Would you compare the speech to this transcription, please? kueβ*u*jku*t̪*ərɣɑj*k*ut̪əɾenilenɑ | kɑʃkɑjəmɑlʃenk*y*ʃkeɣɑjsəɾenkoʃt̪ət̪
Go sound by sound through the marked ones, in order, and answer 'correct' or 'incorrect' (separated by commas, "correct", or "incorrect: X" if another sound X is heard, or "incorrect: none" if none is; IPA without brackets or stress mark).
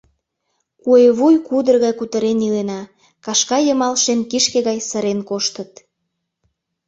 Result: correct, incorrect: d̪, correct, incorrect: i